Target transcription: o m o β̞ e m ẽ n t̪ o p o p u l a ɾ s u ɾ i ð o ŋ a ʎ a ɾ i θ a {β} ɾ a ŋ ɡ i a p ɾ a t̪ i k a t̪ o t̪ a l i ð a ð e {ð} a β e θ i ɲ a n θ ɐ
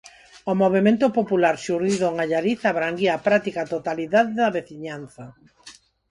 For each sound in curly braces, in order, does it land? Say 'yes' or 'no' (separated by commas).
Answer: yes, yes